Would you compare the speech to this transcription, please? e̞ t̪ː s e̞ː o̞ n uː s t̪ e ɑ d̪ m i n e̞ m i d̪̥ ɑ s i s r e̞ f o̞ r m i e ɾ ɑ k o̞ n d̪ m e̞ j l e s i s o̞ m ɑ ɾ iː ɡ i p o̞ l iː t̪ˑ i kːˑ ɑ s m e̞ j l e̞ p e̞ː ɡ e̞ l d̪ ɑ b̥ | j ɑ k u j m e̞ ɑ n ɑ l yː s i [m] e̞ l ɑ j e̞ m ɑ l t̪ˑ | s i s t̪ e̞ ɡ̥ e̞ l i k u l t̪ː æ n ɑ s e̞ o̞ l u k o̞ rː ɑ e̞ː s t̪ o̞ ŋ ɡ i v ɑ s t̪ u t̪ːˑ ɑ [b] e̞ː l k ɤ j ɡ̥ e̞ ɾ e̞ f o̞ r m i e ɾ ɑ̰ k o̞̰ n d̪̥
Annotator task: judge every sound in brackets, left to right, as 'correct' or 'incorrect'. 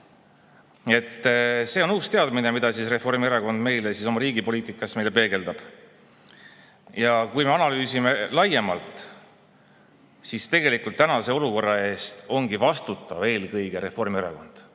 correct, incorrect

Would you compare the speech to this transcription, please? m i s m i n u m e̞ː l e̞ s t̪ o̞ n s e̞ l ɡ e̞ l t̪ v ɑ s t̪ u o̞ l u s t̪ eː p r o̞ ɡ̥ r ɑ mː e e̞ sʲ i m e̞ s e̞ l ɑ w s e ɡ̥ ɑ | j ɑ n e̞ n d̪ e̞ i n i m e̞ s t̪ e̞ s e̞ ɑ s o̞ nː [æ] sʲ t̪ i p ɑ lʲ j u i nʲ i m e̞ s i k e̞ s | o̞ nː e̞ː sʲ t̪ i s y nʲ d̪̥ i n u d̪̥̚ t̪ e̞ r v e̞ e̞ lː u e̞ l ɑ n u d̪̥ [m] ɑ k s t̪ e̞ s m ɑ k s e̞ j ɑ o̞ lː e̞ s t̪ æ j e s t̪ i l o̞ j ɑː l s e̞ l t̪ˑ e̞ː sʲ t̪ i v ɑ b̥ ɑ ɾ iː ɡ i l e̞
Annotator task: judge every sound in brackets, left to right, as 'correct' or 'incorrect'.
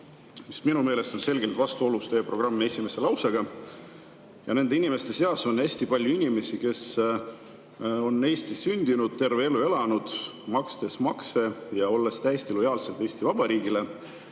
correct, correct

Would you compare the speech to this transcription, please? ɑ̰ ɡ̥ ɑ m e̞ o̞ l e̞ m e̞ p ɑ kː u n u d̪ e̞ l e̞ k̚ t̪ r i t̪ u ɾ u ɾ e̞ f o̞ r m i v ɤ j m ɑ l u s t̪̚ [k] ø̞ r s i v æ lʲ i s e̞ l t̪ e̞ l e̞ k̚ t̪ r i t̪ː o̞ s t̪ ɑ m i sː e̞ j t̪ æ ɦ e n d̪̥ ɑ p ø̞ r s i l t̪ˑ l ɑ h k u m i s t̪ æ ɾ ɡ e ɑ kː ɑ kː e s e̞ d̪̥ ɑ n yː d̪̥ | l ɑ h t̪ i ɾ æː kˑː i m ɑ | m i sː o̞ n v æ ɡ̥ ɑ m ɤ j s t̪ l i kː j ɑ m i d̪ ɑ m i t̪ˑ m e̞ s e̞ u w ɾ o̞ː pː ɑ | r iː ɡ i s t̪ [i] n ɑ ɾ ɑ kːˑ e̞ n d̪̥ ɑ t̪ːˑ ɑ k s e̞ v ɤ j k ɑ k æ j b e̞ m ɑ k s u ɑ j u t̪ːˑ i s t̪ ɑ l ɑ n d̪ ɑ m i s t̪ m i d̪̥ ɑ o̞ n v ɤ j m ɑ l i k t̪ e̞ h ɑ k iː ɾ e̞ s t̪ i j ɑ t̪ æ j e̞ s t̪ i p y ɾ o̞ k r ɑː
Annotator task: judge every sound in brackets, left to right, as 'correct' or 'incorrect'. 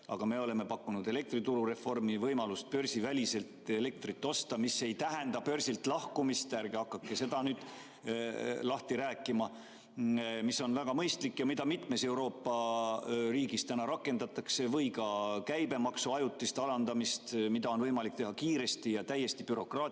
incorrect, incorrect

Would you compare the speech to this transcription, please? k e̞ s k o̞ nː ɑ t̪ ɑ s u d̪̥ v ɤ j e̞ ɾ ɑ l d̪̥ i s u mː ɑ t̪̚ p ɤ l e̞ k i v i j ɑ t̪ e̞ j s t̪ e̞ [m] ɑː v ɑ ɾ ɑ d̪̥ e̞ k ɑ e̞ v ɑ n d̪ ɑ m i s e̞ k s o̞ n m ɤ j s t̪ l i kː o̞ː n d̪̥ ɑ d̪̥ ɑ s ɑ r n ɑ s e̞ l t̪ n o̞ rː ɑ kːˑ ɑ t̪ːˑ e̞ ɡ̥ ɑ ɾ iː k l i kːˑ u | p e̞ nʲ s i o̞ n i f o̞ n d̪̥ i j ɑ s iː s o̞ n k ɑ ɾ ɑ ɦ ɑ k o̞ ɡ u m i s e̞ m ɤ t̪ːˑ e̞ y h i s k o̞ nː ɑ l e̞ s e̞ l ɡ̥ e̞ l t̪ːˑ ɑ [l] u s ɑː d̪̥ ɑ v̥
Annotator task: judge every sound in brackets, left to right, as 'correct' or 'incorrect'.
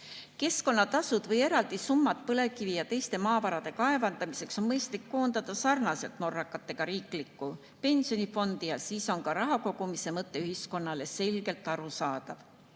correct, incorrect

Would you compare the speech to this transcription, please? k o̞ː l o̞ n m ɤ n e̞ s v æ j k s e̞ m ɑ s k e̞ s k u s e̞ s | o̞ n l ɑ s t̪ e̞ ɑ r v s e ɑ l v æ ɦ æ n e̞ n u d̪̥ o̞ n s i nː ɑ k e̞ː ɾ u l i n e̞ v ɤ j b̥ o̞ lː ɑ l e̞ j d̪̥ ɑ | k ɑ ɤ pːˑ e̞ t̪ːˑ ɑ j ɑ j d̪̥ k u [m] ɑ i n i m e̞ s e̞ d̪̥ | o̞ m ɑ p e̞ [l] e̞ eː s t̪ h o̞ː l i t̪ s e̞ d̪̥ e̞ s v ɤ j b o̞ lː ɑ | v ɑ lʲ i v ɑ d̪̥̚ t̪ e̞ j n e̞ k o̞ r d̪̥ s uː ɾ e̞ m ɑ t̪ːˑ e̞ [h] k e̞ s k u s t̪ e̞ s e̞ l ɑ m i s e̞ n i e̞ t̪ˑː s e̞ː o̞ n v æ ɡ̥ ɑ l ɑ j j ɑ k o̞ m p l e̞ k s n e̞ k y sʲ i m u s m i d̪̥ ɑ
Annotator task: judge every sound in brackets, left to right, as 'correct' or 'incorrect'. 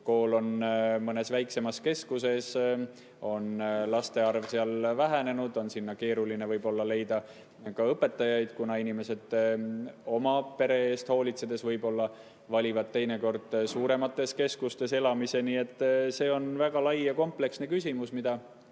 incorrect, incorrect, incorrect

